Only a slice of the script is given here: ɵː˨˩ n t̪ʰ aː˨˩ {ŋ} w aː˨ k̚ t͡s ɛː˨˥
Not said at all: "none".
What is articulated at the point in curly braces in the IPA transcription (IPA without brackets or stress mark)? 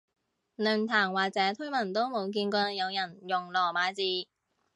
ŋ